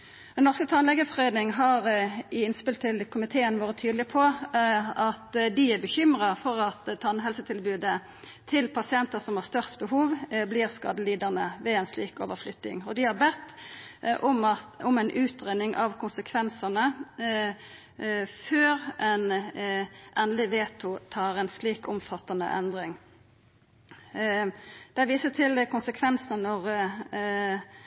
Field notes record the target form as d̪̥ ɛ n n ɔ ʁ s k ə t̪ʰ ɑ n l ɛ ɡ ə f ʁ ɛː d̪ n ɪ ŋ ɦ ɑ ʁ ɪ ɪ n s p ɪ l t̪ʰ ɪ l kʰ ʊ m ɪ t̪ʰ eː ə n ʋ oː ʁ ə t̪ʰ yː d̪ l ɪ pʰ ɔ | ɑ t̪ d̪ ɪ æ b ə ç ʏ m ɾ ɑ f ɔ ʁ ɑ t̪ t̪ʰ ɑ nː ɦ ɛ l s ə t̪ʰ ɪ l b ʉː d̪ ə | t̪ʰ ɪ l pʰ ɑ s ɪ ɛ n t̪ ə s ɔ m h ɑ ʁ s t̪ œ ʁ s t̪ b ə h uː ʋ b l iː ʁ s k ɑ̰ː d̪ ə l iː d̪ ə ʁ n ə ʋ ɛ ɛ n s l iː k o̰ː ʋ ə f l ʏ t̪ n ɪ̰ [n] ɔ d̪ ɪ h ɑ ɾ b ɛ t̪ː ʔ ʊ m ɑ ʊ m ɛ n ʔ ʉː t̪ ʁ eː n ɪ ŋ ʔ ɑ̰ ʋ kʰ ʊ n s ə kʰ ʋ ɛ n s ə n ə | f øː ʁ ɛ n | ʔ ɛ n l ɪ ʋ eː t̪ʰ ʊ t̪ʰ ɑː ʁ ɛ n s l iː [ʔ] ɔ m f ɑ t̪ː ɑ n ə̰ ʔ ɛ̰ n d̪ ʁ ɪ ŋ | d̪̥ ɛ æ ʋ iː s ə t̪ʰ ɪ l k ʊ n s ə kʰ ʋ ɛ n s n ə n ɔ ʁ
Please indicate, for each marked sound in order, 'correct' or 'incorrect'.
incorrect: ŋ, incorrect: k

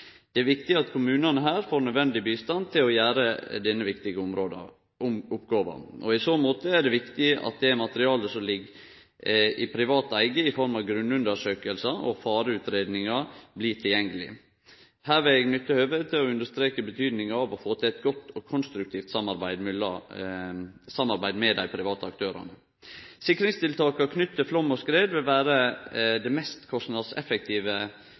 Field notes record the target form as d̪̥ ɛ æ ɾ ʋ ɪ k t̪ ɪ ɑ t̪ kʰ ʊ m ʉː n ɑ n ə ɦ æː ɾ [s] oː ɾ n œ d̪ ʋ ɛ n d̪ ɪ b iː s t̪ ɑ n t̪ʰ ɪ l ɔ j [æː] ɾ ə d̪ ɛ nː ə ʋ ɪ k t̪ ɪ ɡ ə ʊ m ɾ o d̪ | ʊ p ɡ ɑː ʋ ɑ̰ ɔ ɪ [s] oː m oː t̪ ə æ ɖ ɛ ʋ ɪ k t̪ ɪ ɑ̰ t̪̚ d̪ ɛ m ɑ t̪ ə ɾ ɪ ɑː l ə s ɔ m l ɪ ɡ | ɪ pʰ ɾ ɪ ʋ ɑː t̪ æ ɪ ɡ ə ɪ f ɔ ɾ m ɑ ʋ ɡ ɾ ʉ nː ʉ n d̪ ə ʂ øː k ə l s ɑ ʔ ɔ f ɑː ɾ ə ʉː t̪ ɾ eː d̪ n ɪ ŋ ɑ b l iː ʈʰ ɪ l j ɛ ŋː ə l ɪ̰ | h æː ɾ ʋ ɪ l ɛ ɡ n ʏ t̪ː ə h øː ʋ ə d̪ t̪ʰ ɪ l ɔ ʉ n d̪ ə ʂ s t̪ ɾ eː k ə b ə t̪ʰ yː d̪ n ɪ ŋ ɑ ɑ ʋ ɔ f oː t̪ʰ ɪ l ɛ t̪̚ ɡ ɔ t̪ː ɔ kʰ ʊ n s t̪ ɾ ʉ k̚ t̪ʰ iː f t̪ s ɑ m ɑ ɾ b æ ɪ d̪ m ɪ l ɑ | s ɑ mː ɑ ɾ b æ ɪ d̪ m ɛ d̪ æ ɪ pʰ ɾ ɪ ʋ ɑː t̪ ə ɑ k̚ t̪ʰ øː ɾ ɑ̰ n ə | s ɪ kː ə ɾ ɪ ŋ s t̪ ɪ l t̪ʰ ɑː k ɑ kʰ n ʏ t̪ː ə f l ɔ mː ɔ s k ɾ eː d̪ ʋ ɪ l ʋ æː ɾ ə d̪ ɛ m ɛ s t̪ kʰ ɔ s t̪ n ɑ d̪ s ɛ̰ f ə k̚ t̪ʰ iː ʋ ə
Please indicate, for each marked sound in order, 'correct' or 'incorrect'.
incorrect: f, correct, correct

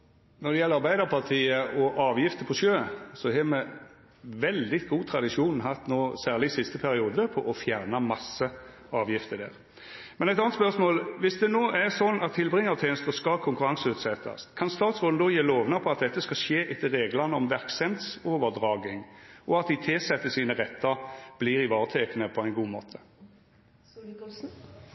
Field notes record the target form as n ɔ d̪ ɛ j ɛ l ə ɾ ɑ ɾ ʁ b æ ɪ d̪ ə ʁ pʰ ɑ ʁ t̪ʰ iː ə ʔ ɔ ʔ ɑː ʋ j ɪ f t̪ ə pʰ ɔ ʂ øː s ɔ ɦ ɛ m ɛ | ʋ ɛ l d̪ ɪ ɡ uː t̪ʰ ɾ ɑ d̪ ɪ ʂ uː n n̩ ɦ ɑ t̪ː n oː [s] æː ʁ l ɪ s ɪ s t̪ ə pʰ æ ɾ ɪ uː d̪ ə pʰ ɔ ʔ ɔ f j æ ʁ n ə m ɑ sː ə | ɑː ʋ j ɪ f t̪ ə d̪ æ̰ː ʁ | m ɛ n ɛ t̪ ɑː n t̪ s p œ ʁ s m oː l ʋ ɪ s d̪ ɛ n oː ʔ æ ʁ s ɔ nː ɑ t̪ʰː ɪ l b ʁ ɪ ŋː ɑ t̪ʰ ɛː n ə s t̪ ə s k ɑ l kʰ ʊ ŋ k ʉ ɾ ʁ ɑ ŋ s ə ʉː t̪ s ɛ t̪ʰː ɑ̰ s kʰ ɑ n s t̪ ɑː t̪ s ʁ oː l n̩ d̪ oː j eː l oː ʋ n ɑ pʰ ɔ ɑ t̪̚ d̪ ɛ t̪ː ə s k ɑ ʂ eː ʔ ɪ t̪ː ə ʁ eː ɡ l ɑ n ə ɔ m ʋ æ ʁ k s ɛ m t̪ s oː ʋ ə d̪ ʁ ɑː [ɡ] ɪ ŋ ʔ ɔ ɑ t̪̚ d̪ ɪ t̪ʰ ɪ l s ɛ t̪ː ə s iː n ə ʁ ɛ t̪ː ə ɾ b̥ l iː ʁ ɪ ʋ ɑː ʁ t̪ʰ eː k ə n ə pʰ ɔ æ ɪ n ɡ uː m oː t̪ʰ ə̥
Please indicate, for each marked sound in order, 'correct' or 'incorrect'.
correct, correct

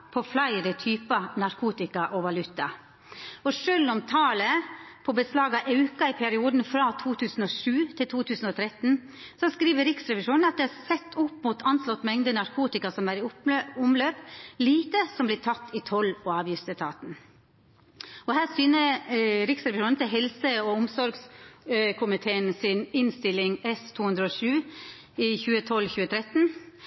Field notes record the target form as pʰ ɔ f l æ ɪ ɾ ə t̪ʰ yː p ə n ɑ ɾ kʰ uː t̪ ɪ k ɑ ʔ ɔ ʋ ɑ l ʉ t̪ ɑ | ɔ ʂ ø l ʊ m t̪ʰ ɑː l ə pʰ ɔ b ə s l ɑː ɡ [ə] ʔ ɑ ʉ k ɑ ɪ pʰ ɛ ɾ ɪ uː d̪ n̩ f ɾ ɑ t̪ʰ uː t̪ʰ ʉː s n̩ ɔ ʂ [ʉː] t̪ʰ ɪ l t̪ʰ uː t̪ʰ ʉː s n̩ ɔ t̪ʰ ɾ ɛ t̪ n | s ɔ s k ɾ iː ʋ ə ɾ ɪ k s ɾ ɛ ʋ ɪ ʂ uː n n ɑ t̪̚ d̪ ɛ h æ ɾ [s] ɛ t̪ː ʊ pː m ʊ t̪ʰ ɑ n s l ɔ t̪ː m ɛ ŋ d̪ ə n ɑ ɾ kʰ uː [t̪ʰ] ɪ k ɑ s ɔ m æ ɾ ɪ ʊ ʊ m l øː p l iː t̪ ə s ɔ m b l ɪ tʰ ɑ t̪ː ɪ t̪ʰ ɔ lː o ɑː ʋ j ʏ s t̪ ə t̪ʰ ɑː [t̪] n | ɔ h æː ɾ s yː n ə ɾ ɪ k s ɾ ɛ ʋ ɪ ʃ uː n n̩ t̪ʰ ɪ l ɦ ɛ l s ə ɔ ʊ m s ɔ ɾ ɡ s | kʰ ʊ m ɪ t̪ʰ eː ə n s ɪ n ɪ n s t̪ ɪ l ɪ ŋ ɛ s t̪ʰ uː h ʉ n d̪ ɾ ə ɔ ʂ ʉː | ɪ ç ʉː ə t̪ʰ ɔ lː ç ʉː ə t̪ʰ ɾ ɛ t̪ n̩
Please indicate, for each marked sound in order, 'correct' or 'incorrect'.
incorrect: ɑ, correct, correct, incorrect: t̪, correct

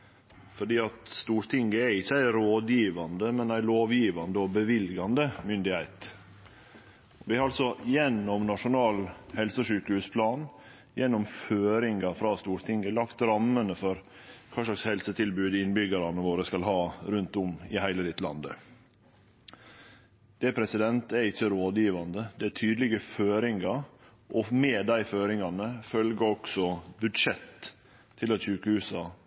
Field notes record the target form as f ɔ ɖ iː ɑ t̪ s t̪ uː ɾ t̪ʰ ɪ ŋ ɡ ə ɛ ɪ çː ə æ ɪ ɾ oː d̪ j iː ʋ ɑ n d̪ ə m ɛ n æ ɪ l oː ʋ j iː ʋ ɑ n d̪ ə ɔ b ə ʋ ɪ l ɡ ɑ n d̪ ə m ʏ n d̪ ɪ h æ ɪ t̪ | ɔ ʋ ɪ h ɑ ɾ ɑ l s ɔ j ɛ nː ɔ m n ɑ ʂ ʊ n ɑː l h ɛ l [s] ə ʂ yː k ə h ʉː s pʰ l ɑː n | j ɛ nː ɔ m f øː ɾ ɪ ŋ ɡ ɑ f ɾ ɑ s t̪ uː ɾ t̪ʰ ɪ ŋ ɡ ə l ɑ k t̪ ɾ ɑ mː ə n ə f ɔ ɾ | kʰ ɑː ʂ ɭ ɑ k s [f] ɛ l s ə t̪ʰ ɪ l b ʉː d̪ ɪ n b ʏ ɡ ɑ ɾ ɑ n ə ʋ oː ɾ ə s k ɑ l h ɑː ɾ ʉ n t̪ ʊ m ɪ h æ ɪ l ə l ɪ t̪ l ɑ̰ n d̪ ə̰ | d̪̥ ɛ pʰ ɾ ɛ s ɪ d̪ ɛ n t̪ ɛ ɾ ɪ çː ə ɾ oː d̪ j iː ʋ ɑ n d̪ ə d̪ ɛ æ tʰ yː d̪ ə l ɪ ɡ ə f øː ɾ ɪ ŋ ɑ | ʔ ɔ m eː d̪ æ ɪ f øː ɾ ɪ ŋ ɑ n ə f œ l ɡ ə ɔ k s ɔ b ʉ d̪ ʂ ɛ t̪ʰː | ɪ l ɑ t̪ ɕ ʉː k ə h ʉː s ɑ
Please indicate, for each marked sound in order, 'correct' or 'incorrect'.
correct, incorrect: h

